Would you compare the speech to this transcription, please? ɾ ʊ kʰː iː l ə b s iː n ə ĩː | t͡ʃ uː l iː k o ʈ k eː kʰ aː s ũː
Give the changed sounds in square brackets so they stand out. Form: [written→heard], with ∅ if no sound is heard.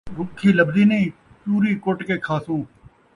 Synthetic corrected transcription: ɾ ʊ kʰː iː l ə b [s→z] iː n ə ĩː | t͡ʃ uː [l→ɾ] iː k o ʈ k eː kʰ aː s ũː